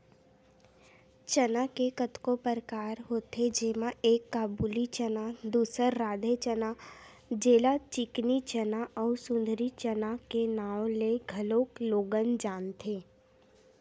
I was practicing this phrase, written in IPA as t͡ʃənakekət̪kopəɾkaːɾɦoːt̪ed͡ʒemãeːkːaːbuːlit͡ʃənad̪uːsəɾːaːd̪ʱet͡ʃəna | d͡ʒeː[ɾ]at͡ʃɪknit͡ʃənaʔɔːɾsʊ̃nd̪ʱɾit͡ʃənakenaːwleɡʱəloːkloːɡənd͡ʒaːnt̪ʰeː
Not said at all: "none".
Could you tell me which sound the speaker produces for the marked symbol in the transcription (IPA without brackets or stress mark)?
l